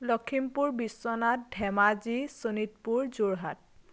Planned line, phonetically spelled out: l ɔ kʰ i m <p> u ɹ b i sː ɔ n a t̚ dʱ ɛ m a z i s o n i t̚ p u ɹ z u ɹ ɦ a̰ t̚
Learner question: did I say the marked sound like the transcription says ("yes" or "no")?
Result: yes